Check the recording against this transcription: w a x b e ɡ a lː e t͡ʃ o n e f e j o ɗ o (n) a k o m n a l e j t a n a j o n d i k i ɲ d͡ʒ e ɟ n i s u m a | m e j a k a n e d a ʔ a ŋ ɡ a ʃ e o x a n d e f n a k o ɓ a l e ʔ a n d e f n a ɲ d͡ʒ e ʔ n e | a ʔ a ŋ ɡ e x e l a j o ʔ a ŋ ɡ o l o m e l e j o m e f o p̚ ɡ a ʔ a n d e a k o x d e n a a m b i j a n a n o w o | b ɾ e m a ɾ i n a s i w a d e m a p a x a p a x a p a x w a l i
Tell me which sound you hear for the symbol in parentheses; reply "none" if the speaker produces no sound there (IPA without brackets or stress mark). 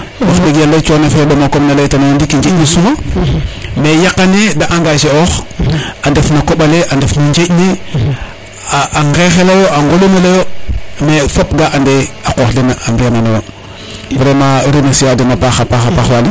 m